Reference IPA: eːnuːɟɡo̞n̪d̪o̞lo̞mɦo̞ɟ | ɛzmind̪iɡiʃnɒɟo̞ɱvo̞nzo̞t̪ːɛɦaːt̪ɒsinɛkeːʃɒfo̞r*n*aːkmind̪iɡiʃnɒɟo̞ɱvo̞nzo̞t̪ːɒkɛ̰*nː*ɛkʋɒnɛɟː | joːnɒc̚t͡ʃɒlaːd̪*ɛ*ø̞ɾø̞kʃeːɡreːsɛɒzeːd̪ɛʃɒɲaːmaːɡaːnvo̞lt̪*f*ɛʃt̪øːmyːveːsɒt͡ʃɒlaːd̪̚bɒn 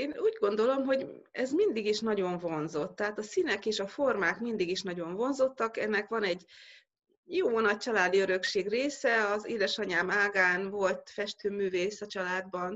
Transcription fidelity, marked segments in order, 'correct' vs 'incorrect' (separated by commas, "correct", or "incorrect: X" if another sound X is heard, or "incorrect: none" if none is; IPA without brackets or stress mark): incorrect: m, correct, incorrect: i, correct